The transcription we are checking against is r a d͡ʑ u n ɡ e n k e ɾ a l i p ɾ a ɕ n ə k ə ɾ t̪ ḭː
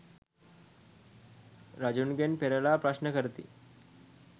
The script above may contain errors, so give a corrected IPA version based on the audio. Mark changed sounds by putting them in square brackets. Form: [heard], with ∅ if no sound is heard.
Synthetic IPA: [ɾ] a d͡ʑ u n ɡ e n [p] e ɾ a l [a] p ɾ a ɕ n ə k ə ɾ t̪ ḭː

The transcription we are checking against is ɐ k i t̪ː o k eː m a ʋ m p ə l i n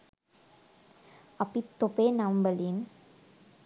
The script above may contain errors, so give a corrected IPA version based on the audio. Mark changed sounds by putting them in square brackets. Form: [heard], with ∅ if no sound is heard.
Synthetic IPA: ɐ [p] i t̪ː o [p] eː [n] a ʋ m [b] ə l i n

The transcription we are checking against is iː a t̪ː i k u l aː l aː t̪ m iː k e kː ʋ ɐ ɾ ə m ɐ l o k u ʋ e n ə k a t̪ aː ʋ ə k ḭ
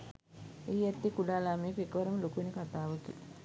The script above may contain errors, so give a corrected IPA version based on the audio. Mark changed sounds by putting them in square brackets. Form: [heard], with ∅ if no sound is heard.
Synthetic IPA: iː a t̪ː i k u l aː l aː [∅] m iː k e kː ʋ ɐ ɾ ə m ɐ l o k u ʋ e n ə k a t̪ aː ʋ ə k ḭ

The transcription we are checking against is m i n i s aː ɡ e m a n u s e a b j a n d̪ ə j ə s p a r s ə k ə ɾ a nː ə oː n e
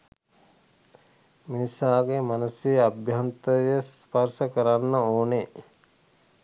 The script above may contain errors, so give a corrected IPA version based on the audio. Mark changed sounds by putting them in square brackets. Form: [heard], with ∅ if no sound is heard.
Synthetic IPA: m i n i s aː ɡ e m a n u s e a b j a n [t̪] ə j ə s p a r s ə k ə ɾ a nː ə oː n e

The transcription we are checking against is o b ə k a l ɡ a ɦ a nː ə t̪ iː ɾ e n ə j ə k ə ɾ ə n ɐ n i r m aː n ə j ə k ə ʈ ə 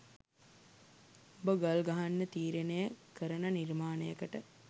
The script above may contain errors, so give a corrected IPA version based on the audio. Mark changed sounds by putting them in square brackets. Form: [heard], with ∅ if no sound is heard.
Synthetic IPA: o b ə [ɡ] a l ɡ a ɦ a nː ə t̪ iː ɾ e n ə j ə k ə ɾ ə n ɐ n i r m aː n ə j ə k ə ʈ ə

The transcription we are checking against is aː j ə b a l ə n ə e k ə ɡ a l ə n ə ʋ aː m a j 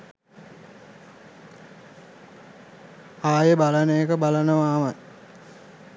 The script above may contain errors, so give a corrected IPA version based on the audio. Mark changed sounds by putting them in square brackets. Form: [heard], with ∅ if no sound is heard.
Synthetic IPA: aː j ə b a l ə n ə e k ə [b] a l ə n ə ʋ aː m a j

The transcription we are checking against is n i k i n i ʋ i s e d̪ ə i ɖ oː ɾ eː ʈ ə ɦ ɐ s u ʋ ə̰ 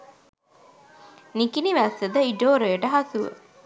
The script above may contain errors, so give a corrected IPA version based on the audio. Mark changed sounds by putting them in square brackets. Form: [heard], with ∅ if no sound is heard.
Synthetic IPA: n i k i n i ʋ [æ] s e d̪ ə i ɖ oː ɾ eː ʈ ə ɦ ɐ s u ʋ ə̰

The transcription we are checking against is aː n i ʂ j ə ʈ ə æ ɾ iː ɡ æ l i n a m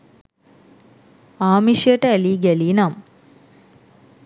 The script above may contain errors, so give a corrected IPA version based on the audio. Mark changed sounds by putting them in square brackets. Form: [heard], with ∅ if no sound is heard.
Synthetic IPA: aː [m] i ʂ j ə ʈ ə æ [l] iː ɡ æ l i n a m

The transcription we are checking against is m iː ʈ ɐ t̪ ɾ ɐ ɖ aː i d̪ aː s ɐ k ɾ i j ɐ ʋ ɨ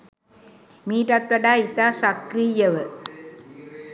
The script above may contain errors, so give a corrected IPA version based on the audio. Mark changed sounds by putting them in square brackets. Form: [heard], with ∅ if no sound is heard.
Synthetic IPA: m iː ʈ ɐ t̪ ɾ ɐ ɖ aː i [t̪] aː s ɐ k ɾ i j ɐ ʋ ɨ

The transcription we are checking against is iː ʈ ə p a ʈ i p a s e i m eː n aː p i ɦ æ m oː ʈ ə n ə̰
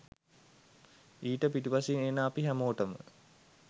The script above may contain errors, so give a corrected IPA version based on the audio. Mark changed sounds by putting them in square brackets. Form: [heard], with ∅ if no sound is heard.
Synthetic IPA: iː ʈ ə p [i] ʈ i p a s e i [n] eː n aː p i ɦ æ m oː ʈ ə [m] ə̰

